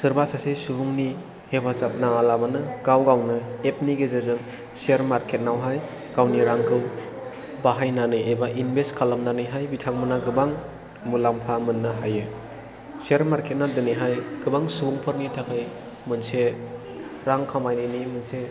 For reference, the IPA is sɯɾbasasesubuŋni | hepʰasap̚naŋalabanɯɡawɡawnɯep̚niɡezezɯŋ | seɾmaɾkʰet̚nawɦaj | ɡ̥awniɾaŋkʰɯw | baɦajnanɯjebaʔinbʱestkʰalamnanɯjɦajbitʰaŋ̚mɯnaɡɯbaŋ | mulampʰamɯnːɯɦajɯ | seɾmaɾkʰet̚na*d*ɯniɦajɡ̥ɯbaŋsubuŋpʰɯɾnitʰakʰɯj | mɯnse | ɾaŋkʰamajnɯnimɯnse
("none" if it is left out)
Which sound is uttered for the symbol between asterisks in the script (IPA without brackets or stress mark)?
d